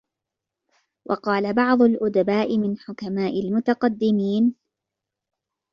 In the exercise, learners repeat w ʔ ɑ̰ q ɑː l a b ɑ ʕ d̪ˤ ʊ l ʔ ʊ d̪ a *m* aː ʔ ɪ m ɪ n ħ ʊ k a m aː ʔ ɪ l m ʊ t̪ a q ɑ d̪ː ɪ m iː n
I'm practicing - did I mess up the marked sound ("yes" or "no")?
yes